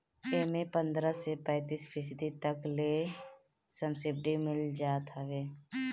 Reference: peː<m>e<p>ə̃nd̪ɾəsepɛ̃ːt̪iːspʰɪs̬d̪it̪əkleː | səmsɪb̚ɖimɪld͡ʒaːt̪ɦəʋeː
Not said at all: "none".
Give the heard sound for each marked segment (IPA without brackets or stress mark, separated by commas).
m, p